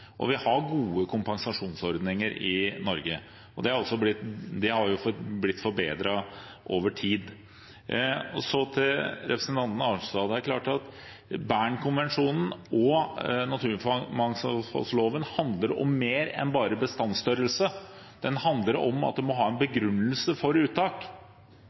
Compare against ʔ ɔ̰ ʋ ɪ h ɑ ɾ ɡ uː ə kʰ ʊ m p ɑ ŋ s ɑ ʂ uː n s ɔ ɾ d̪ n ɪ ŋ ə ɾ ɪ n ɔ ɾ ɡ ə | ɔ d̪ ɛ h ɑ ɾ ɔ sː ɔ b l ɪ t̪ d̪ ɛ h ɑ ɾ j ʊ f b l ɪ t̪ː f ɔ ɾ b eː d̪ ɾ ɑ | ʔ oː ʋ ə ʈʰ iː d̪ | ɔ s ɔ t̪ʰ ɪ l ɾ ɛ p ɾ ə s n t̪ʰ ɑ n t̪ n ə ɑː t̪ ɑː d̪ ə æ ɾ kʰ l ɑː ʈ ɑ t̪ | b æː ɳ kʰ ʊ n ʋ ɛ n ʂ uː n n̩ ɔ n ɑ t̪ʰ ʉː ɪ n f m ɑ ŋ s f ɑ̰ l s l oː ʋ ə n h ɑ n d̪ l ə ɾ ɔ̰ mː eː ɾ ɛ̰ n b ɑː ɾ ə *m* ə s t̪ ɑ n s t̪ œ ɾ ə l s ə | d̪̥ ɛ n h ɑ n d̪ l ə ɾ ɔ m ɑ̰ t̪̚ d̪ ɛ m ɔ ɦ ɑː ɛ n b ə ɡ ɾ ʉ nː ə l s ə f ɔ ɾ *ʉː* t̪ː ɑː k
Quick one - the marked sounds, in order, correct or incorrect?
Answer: incorrect, correct

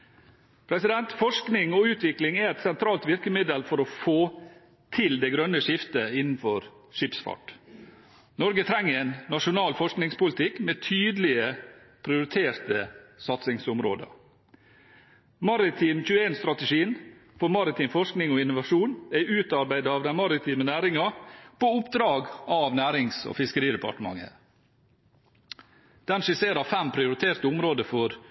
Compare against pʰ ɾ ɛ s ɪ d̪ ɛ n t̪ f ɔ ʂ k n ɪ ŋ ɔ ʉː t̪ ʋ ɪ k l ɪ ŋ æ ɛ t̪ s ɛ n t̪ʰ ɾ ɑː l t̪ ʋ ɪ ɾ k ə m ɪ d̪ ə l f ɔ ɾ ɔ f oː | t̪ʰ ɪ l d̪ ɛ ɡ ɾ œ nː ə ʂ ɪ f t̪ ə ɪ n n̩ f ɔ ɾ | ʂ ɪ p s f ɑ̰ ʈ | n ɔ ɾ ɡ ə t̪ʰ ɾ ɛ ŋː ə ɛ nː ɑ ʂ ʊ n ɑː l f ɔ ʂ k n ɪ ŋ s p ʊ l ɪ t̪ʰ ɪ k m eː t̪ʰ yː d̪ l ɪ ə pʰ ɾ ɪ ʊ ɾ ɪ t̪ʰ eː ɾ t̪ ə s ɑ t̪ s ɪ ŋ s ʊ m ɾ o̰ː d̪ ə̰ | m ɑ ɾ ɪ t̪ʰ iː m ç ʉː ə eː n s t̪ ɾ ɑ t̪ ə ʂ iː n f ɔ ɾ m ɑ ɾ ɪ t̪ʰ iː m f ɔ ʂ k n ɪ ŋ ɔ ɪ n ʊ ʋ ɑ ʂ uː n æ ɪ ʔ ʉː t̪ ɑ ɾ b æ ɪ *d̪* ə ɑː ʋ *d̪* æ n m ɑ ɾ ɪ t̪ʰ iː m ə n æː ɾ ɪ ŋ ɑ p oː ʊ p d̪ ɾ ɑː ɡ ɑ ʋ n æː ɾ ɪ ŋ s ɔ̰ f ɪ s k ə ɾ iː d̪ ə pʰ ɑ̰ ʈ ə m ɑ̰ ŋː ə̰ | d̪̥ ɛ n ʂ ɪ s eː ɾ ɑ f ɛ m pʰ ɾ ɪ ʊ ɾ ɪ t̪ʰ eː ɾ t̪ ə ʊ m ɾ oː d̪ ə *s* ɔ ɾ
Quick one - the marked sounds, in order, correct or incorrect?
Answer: correct, correct, incorrect

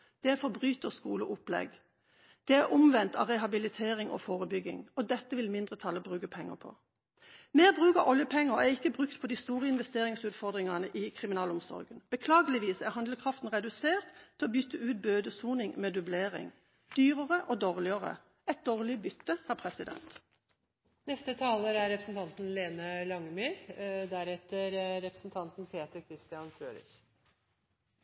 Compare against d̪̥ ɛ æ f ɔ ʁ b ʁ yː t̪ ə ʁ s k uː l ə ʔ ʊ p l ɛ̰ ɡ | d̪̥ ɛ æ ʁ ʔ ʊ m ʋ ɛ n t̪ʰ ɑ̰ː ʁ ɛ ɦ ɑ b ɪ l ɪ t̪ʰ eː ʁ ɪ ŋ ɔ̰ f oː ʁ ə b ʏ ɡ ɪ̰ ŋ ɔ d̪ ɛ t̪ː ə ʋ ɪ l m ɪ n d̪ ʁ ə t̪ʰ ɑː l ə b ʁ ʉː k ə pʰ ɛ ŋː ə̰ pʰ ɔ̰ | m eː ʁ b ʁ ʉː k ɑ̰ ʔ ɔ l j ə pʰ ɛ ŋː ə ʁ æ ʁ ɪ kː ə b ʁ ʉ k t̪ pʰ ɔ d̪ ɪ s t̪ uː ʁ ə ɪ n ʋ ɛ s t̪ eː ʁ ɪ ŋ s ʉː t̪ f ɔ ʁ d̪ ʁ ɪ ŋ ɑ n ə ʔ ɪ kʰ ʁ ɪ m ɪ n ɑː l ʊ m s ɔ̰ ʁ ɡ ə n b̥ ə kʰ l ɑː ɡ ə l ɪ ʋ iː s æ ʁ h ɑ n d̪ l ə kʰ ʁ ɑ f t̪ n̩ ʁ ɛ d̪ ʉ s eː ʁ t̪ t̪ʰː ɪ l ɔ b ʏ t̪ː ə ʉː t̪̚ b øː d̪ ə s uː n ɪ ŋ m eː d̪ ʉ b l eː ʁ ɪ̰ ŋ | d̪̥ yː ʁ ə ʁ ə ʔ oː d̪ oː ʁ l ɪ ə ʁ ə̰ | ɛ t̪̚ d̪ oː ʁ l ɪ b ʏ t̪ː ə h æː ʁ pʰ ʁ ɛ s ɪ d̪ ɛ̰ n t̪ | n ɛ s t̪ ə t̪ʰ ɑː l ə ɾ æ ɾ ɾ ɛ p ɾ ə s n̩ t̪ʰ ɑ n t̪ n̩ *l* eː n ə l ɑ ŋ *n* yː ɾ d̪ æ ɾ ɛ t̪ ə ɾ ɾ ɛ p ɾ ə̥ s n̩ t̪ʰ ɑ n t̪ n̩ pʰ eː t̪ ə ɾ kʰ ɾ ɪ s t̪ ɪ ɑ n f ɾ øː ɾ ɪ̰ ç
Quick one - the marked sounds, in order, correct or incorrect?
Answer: correct, incorrect

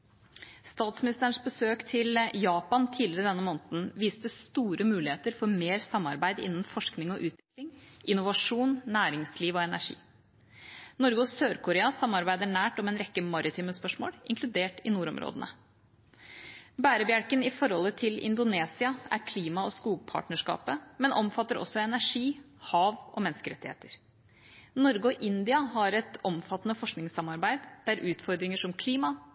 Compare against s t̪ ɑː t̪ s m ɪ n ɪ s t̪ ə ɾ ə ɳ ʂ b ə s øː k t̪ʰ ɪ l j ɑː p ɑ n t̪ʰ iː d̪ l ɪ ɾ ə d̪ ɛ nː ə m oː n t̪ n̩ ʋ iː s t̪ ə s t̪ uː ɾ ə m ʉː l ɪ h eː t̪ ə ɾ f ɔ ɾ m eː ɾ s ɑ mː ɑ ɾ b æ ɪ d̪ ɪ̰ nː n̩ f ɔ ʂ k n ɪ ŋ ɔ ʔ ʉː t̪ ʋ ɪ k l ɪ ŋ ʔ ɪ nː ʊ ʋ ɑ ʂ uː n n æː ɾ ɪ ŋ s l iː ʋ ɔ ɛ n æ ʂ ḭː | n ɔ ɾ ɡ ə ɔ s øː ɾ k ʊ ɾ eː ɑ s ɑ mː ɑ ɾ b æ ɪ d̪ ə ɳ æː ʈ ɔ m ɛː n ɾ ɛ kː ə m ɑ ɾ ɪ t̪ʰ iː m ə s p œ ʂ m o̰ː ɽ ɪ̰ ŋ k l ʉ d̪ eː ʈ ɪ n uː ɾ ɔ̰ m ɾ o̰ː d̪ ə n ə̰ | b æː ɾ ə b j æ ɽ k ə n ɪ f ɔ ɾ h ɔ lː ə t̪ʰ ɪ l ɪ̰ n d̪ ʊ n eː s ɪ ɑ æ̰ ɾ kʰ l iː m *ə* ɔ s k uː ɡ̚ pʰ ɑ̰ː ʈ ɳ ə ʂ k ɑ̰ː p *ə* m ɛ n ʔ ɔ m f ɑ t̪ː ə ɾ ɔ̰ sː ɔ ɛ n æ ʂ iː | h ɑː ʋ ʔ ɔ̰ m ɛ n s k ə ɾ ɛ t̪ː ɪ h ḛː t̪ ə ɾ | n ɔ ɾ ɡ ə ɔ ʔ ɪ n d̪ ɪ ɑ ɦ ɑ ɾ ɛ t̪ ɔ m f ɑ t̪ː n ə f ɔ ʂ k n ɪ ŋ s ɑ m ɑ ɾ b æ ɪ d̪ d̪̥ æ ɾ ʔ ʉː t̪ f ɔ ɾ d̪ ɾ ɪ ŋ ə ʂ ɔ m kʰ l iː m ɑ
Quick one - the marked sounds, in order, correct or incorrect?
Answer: incorrect, correct

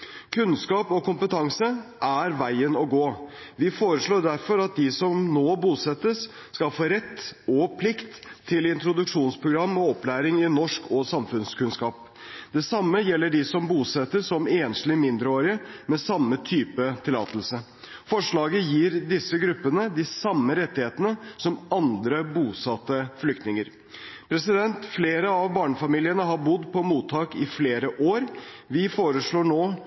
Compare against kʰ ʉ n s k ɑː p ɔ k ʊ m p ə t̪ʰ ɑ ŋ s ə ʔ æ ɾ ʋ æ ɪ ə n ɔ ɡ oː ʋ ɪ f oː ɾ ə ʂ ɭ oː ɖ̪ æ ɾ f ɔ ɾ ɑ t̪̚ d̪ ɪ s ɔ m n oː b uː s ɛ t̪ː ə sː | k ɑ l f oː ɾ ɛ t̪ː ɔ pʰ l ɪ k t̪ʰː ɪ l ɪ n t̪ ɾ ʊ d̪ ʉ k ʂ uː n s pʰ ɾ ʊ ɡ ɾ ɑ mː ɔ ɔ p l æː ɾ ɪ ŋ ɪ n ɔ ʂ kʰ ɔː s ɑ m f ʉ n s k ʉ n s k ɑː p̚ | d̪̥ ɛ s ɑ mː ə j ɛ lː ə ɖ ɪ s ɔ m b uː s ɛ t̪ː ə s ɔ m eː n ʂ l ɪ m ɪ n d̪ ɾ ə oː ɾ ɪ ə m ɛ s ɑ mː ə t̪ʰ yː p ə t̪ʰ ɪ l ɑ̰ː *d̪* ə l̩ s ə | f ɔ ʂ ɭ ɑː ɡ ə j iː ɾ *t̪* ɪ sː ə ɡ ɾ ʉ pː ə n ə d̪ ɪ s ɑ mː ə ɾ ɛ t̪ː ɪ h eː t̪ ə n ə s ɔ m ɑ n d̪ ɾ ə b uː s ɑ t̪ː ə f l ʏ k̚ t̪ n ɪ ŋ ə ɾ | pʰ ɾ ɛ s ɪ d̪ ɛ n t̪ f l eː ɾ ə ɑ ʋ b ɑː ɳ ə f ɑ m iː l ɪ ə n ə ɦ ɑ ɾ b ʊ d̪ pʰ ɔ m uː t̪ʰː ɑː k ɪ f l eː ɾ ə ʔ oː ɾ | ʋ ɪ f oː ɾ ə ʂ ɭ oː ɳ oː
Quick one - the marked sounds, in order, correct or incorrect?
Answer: incorrect, incorrect

